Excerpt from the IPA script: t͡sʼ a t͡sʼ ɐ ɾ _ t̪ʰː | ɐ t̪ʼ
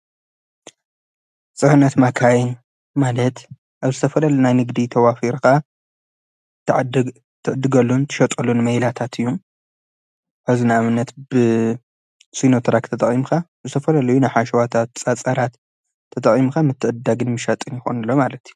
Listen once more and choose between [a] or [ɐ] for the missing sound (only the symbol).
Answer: a